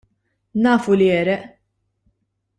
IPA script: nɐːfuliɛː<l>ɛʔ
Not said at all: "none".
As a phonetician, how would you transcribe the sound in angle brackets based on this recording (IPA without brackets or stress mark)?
ɾ